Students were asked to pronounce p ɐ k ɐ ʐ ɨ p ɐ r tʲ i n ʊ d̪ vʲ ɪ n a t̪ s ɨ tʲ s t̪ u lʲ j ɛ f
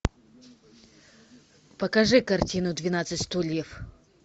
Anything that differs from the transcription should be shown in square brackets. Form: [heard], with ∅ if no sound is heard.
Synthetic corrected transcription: p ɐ k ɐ ʐ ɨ [k] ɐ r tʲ i n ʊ d̪ vʲ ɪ n a t̪ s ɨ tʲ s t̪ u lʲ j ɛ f